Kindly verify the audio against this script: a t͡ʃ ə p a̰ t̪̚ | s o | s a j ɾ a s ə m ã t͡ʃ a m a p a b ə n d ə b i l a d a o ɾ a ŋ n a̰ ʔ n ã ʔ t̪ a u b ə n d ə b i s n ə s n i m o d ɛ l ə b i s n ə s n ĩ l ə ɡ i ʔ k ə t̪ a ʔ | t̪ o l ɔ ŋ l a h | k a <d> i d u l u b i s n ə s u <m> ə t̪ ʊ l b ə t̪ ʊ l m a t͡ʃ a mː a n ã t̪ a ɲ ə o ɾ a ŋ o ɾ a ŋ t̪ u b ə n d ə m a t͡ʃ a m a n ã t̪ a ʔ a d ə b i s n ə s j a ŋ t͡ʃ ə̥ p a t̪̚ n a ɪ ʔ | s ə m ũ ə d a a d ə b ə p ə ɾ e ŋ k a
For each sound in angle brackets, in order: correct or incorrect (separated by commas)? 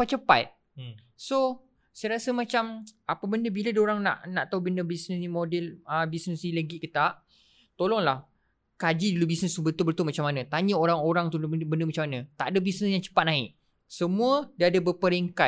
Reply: incorrect, incorrect